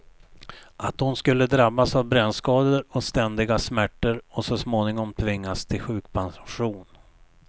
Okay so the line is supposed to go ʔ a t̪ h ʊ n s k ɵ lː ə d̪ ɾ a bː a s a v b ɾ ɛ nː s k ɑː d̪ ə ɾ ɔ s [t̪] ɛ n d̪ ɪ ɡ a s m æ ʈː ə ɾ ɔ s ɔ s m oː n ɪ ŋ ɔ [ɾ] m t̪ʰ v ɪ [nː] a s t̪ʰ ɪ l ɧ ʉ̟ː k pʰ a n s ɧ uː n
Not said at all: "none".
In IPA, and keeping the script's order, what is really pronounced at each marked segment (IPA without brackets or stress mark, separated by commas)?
t̪, none, ŋː